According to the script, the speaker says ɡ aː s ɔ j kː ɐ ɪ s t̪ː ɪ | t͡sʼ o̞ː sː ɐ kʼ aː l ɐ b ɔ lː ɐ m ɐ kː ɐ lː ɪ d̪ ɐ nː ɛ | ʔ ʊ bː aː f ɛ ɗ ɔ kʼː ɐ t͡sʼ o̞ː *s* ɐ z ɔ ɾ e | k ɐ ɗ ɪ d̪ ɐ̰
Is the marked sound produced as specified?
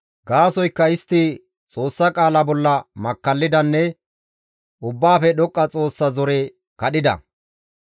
no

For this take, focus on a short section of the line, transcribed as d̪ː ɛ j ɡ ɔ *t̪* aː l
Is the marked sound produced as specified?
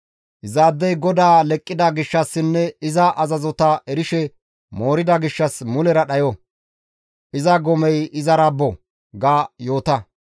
no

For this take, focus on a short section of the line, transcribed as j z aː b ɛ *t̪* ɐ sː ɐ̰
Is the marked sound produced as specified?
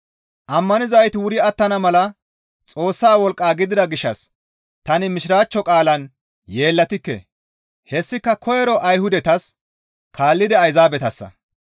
yes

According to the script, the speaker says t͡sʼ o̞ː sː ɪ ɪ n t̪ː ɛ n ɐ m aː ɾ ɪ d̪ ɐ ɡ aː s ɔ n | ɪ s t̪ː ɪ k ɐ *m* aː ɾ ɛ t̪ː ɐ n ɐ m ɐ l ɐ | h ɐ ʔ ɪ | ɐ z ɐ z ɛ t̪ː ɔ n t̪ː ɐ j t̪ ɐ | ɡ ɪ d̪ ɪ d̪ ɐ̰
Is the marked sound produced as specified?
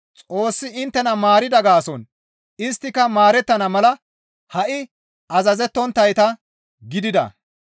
yes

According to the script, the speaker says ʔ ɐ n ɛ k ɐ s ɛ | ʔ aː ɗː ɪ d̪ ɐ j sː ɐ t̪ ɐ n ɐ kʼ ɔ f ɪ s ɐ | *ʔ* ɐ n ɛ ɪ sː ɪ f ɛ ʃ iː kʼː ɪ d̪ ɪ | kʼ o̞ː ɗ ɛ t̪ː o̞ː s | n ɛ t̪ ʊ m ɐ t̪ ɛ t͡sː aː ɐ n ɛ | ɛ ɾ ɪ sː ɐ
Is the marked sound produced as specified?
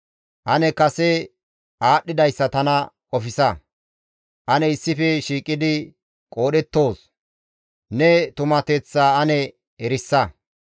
yes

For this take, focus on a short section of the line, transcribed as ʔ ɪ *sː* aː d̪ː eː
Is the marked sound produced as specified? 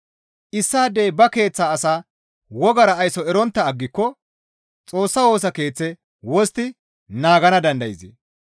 yes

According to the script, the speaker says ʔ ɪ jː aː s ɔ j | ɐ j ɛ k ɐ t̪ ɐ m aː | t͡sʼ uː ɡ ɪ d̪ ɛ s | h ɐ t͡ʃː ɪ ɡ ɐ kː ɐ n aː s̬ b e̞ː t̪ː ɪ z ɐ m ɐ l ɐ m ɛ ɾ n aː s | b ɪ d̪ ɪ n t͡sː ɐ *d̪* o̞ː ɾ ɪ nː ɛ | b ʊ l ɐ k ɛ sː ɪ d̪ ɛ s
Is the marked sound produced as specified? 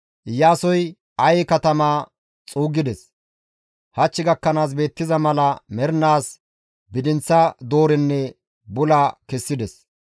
yes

